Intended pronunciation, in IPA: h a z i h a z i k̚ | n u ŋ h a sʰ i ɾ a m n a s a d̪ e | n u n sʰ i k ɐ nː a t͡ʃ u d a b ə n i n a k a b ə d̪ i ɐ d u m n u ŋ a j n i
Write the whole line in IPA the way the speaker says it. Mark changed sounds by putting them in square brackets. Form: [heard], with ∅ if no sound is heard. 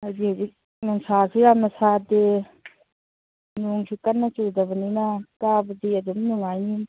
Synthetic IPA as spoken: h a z i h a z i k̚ | n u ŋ [s] a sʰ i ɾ a m n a s a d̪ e | n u [ŋ] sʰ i k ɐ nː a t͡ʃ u d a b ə n i n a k a b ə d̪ i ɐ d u m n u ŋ a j n i